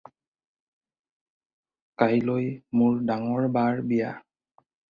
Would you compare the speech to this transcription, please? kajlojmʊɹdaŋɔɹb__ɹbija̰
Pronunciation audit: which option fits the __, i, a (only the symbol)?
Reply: a